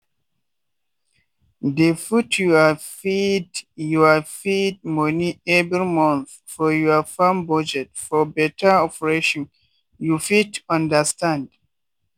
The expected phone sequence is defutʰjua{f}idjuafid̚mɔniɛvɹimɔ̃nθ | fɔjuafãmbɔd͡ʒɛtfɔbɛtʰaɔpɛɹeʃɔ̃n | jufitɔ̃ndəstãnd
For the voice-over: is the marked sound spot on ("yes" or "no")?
yes